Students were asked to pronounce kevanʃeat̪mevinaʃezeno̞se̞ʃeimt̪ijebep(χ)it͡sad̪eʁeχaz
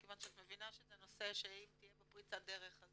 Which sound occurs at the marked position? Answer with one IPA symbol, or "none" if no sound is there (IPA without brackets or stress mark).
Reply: ʁ